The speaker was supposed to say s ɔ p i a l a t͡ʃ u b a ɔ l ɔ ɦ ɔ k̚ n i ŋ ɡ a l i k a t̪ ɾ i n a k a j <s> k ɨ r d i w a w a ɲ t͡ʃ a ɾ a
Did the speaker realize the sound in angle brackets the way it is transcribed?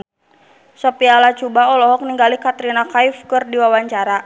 no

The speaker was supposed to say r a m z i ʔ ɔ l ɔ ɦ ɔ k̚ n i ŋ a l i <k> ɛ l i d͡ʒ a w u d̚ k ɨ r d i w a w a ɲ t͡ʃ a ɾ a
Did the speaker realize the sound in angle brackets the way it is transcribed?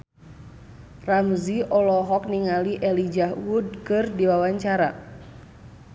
no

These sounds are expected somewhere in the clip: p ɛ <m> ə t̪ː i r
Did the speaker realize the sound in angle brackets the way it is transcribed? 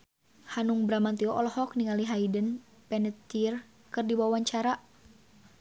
no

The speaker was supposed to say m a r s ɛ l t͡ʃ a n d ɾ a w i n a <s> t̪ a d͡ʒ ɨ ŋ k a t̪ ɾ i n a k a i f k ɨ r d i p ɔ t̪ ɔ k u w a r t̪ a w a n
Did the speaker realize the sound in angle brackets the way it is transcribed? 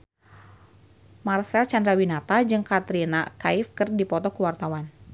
no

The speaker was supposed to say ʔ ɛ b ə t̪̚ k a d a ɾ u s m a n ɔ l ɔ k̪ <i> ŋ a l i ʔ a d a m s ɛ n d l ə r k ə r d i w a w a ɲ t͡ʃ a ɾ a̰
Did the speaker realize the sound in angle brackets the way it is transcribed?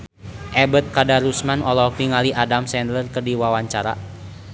yes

